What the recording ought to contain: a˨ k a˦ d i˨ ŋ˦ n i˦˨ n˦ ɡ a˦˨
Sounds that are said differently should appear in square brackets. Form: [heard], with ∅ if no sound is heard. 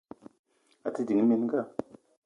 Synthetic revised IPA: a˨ [t] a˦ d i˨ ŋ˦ [m] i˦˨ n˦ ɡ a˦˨